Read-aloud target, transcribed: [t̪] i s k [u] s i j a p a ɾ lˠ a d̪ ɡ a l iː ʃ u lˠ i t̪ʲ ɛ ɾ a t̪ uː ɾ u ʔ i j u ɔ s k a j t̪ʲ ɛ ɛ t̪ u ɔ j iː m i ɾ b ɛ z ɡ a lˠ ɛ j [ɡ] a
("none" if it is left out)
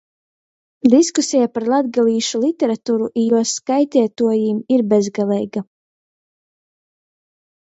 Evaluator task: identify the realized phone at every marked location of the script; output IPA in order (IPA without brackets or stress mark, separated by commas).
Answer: d̪, u, ɡ